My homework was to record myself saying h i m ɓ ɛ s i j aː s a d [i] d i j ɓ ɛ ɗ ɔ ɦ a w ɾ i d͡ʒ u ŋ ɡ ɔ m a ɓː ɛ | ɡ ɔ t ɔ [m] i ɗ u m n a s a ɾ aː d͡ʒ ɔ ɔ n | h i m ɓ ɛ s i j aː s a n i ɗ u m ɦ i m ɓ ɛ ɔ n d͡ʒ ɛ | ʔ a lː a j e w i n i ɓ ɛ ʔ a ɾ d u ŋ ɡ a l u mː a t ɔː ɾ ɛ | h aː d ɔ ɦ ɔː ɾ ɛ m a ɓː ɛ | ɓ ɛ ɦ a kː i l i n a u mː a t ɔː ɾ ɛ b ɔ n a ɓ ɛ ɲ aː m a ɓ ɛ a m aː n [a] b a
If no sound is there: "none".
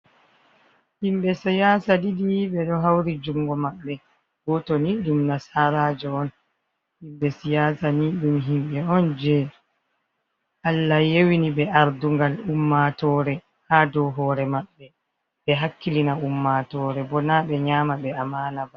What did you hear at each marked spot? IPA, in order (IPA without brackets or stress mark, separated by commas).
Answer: i, n, a